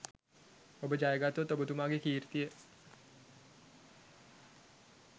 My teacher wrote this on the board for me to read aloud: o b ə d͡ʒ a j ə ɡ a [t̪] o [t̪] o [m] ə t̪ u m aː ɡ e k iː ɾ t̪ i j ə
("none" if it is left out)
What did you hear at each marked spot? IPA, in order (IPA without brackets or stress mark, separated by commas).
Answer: t̪, t̪, b